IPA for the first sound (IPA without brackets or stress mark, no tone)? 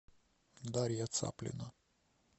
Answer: d̪